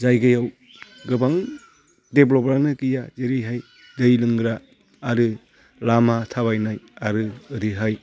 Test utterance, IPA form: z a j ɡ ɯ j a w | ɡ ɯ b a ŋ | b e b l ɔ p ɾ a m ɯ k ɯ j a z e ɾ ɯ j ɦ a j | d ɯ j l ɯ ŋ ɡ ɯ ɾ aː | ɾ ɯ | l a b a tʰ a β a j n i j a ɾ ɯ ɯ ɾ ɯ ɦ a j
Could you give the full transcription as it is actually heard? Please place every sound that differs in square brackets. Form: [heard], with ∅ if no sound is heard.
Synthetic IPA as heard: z a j ɡ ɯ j a w | ɡ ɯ b a ŋ | [d] e b l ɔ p ɾ a [n] ɯ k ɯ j a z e ɾ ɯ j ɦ a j | d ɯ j l ɯ ŋ ɡ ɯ ɾ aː | ɾ ɯ | l a [m] a tʰ a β a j n [a] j a ɾ ɯ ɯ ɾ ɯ ɦ a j